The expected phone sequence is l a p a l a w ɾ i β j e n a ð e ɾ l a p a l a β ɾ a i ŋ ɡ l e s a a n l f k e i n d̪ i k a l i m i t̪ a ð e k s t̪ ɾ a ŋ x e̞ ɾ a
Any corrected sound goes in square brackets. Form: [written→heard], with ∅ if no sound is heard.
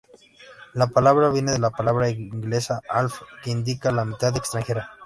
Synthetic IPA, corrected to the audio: l a p a l a [w→β] ɾ [i→a] β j e n [a→e] ð e [ɾ→∅] l a p a l a β ɾ a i ŋ ɡ l e s a a [n→∅] l f k e i n d̪ i k a l [i→a] m i t̪ a ð e k s t̪ ɾ a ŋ x e̞ ɾ a